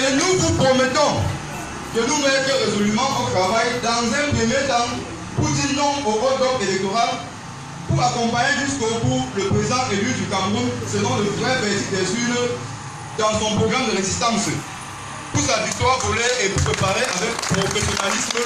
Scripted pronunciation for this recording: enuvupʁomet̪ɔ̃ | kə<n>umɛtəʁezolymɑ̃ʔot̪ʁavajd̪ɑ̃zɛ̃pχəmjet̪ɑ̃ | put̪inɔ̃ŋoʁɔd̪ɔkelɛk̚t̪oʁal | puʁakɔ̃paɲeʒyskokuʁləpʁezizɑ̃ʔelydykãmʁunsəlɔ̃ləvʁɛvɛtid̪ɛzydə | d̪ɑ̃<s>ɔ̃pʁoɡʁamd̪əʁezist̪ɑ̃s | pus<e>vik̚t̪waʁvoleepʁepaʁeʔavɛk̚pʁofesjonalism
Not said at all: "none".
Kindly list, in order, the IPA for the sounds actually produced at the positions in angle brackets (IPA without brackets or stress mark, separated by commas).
n, s, a